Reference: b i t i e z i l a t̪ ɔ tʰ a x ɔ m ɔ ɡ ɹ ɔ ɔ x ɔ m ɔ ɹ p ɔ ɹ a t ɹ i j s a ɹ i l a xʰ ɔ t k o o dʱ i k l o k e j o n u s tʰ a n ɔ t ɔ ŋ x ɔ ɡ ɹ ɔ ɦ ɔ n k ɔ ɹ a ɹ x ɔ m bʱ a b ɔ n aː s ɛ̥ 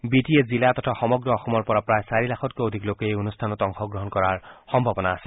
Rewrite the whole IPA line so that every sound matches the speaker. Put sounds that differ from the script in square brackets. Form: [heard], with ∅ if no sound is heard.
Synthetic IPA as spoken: b i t i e z i l a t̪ ɔ tʰ a x ɔ m ɔ ɡ ɹ ɔ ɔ x ɔ m ɔ ɹ p ɔ ɹ a [p] ɹ [a] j s a ɹ i l a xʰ ɔ t k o o dʱ i k l o k e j o n u s tʰ a n ɔ t ɔ ŋ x ɔ ɡ ɹ ɔ ɦ ɔ n k ɔ ɹ a ɹ x ɔ m bʱ a b ɔ n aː s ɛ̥

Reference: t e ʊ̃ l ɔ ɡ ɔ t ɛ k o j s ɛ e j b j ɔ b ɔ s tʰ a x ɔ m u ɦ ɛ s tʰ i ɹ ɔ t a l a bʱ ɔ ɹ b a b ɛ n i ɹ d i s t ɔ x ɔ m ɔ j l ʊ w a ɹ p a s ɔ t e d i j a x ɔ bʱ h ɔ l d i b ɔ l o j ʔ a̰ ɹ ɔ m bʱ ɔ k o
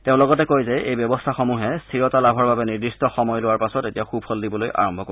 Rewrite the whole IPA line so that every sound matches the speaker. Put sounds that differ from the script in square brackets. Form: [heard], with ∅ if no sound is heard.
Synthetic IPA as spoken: t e ʊ̃ l ɔ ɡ ɔ t ɛ k o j [z] ɛ e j b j ɔ b ɔ s tʰ a x ɔ m u ɦ ɛ s tʰ i ɹ ɔ t a l a bʱ ɔ ɹ b a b ɛ n i ɹ d i s t ɔ x ɔ m ɔ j l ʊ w a ɹ p a s ɔ t e [t] i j a x [u] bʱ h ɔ l d i b ɔ l o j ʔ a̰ ɹ ɔ m bʱ ɔ k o

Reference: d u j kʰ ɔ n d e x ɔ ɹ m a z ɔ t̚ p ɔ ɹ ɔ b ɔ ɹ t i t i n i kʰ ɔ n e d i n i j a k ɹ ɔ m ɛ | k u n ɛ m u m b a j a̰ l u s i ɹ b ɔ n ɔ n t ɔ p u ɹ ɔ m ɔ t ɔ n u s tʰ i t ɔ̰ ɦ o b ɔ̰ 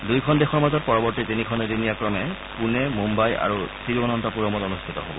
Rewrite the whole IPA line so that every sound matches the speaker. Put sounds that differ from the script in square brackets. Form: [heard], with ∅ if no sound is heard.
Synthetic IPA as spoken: d u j kʰ ɔ n d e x ɔ ɹ m a z ɔ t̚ p ɔ ɹ ɔ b ɔ ɹ t i t i n i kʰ ɔ n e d i n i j a k ɹ ɔ m ɛ | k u n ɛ m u m b a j a̰ [ɹ] u s i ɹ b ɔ n ɔ n t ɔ p u ɹ ɔ m ɔ t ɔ n u s tʰ i t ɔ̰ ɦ o b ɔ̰

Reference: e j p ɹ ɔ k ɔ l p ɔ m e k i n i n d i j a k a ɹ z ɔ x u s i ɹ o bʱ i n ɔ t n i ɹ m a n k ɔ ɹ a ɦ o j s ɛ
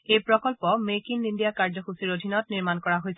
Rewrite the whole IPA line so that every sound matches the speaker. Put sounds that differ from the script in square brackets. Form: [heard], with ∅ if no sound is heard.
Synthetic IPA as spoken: e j p ɹ ɔ k ɔ l p ɔ m e k i n i n d i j a k a ɹ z ɔ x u s i ɹ o [dʱ] i n ɔ t n i ɹ m a n k ɔ ɹ a ɦ o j s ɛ

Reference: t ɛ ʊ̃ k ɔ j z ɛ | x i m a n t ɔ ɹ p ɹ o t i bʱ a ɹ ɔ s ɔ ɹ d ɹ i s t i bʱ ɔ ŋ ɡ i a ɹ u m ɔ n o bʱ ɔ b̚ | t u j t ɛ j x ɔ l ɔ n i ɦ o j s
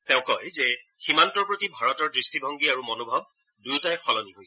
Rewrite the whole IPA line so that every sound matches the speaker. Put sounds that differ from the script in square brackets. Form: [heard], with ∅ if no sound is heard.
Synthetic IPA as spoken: t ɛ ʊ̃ k ɔ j z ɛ | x i m a n t ɔ ɹ p ɹ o t i bʱ a ɹ ɔ [t] ɔ ɹ d ɹ i s t i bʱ ɔ ŋ ɡ i a ɹ u m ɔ n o bʱ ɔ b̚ | [d] u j t [a] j x ɔ l ɔ n i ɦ o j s

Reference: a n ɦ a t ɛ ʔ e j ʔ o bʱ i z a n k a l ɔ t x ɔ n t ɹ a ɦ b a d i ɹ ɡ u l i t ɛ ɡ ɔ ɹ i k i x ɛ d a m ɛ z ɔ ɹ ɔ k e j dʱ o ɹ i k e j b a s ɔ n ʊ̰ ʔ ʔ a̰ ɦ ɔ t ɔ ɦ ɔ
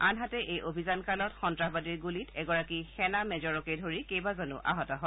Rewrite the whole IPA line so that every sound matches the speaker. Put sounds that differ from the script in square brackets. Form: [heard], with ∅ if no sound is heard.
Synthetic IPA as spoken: a n ɦ a t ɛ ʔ e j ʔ o bʱ i z a n k a l ɔ t x ɔ n t ɹ a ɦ b a d i ɹ ɡ u l i t ɛ ɡ ɔ ɹ [a] k i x ɛ [n] a m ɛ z ɔ ɹ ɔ k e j dʱ o ɹ i k e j b a [z] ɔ n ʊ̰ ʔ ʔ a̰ ɦ ɔ t ɔ ɦ ɔ

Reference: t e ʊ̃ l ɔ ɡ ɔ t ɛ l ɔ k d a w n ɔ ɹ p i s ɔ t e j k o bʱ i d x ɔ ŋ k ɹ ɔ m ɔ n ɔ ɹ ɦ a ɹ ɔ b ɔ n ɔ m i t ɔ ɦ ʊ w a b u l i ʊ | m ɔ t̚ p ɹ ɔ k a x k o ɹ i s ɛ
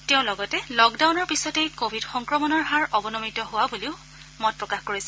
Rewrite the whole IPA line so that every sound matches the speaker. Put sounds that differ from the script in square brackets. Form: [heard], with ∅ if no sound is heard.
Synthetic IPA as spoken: t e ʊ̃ l ɔ ɡ ɔ t ɛ l ɔ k d a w n ɔ ɹ p i s ɔ t e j k o bʱ i d x ɔ ŋ k ɹ ɔ m ɔ n ɔ ɹ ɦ a ɹ ɔ b ɔ n ɔ m i t ɔ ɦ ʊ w a b u l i ʊ | m ɔ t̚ p ɹ ɔ k a x k o ɹ i s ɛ

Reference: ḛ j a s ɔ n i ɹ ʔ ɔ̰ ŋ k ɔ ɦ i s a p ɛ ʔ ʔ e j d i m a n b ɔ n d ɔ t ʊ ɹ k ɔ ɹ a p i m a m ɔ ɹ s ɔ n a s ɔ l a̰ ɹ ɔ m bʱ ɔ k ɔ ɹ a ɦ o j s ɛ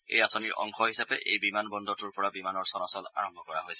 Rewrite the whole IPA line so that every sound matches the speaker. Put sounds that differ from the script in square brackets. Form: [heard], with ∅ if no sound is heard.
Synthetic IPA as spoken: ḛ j a s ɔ n i ɹ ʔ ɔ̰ ŋ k ɔ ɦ i s a p ɛ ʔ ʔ e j [b] i m a n b ɔ n d ɔ t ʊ ɹ [p] ɔ ɹ a [b] i m a [n] ɔ ɹ s ɔ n a s ɔ l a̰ ɹ ɔ m bʱ ɔ k ɔ ɹ a ɦ o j s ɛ

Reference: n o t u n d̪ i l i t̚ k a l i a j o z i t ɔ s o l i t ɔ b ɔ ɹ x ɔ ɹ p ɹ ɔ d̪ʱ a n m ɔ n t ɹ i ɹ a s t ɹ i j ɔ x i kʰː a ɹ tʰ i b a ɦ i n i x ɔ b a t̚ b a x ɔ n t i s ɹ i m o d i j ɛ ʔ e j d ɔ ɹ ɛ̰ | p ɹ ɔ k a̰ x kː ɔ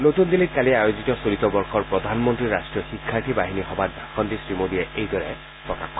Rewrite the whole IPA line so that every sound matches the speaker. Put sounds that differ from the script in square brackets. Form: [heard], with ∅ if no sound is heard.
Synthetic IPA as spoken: n o t u n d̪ i l i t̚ k a l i a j o z i t ɔ s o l i t ɔ b ɔ ɹ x ɔ ɹ p ɹ ɔ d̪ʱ a n m ɔ n t ɹ i ɹ a s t ɹ i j ɔ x i kʰː a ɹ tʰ i b a ɦ i n i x ɔ b a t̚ b a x ɔ n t i s ɹ i m o d i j ɛ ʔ e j d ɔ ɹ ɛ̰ | p ɹ ɔ k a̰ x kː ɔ

